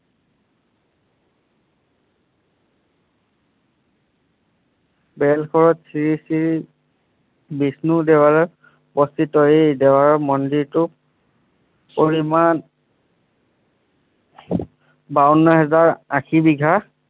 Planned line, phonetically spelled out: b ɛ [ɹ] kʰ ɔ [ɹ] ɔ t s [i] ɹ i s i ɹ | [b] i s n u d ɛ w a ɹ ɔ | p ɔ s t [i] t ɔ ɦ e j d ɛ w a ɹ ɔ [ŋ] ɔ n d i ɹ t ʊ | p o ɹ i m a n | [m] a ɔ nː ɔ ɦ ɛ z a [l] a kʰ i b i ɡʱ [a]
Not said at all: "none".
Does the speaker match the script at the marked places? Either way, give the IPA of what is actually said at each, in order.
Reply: l, ɹ, i, b, i, m, b, ɹ, a

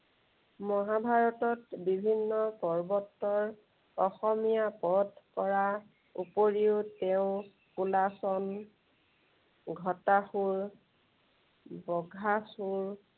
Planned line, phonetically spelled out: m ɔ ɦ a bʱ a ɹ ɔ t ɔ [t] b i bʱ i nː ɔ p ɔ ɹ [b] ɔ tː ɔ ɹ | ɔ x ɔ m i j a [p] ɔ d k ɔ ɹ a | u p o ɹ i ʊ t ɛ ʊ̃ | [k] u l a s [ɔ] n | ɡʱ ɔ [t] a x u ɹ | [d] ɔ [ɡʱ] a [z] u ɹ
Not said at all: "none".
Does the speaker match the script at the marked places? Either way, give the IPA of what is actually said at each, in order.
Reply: t, b, p, k, ɔ, t, b, ɡʱ, s

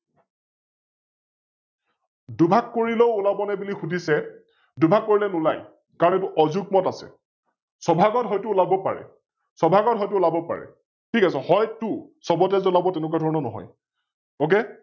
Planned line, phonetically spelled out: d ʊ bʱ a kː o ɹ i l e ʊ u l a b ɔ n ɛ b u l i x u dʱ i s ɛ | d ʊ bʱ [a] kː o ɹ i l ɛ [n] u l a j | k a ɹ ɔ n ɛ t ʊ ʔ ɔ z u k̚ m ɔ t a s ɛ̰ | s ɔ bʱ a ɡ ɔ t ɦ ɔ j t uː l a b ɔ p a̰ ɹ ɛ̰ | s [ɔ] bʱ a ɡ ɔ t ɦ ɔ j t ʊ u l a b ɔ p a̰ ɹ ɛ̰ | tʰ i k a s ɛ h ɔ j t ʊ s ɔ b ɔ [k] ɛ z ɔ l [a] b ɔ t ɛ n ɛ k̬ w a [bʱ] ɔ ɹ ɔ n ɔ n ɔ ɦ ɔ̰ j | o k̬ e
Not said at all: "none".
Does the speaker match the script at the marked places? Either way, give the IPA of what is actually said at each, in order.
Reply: a, n, ɔ, t, a, dʱ

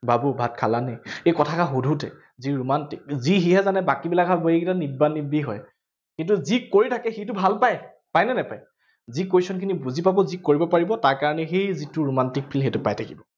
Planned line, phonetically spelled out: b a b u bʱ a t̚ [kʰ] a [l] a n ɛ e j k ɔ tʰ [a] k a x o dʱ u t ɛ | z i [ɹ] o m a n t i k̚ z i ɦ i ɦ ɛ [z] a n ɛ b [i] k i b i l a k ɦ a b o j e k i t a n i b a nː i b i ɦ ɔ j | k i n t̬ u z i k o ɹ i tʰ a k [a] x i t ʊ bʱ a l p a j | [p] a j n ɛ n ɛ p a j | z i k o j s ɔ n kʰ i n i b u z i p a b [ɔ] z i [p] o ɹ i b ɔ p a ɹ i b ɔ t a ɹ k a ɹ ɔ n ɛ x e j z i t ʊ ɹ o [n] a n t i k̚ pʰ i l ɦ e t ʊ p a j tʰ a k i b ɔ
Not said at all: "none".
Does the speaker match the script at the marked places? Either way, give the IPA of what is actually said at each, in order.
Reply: kʰ, l, a, ɹ, z, a, ɛ, p, ɔ, k, m

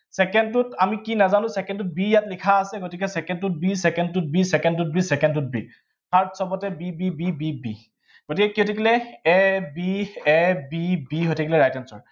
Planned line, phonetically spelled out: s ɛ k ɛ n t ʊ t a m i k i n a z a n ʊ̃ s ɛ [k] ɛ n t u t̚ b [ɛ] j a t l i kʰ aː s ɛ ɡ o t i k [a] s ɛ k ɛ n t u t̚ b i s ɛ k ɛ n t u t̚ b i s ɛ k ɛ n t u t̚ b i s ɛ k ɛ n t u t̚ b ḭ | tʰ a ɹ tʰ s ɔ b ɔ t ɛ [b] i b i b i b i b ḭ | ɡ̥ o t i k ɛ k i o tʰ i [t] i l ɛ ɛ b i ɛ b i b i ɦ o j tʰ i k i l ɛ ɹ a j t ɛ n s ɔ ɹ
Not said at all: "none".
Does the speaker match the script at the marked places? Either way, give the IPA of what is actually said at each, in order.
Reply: k, i, ɛ, b, k

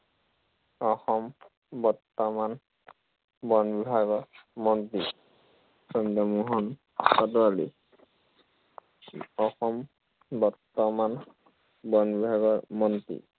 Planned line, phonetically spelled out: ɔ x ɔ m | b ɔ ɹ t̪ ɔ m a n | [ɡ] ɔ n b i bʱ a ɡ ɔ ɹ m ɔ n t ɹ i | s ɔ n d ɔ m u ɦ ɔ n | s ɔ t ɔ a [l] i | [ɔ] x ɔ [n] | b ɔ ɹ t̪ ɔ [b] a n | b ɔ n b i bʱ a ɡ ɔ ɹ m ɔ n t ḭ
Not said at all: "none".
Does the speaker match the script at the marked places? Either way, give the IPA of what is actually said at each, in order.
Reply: b, l, ɔ, m, m

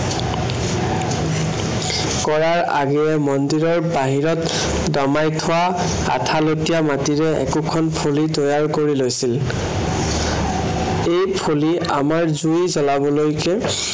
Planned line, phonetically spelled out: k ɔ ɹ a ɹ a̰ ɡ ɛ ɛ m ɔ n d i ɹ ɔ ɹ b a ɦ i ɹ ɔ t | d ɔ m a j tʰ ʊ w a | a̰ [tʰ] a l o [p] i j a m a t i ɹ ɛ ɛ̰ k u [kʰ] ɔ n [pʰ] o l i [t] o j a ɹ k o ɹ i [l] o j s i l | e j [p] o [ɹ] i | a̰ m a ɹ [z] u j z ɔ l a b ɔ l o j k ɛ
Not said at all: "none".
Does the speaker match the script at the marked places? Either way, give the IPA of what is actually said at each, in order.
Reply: tʰ, t, kʰ, pʰ, t, l, pʰ, l, z

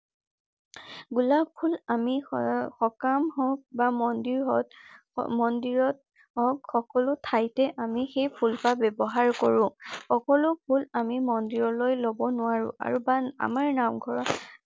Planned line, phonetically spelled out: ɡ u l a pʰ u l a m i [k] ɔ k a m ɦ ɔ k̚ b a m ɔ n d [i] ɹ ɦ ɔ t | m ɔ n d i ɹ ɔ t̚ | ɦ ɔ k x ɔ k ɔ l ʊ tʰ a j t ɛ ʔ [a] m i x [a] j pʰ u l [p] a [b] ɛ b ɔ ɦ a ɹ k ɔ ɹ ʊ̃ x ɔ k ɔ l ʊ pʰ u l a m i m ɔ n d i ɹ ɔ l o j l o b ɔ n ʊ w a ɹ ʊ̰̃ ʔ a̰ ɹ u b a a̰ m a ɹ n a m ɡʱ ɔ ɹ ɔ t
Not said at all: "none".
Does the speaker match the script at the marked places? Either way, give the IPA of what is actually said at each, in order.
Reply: x, i, a, e, p, b

